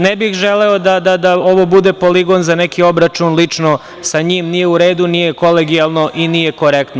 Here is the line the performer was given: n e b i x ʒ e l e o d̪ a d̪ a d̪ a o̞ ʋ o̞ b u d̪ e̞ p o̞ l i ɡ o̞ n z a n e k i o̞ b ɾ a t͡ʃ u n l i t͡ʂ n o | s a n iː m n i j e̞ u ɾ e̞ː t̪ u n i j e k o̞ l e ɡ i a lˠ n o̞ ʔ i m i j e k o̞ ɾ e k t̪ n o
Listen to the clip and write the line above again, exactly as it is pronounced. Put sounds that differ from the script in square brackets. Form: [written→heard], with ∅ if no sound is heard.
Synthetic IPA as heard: n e b i x ʒ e l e o d̪ a d̪ a d̪ a o̞ ʋ o̞ b u d̪ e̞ p o̞ l i ɡ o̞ n z a n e k i o̞ b ɾ a t͡ʃ u n l i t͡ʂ n o | s a [n→ɲ] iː m n i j e̞ u ɾ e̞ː [t̪→d̪] u n i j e k o̞ l e ɡ i a lˠ n o̞ ʔ i [m→n] i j e k o̞ ɾ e k t̪ n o